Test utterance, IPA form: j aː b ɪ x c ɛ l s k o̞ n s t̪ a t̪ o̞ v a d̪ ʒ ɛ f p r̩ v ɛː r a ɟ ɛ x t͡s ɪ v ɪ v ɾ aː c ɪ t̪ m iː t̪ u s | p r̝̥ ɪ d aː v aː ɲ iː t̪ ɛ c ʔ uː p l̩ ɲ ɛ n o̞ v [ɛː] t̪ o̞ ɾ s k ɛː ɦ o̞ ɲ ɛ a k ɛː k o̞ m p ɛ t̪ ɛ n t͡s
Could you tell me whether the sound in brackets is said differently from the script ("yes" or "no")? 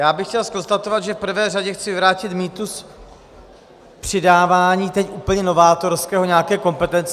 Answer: yes